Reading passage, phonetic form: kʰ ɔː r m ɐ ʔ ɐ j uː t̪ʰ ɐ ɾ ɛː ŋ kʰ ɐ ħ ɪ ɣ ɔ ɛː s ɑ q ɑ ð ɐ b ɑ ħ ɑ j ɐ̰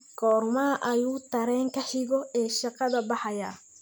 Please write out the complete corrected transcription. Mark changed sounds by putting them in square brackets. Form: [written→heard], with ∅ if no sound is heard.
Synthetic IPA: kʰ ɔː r m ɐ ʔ ɐ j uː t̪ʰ ɐ ɾ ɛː ŋ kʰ ɐ ħ ɪ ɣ ɔ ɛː [s→ʃ] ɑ q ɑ ð ɐ b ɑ ħ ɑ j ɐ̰